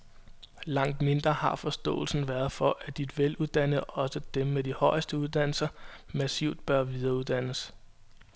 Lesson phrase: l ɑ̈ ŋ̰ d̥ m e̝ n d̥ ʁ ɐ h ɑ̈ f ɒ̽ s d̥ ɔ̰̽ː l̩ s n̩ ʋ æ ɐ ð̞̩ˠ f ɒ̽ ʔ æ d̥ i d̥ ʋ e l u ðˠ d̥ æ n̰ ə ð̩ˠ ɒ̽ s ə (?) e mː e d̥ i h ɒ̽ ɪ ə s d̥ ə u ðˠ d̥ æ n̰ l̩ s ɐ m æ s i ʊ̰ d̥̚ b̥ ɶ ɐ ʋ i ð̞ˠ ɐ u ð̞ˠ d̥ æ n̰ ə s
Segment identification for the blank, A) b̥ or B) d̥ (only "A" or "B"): B